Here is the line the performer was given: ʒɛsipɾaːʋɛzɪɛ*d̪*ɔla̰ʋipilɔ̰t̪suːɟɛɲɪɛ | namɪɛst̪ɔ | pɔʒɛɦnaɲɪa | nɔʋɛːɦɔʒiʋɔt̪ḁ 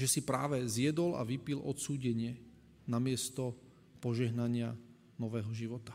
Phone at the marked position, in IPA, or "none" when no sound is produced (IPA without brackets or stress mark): d̪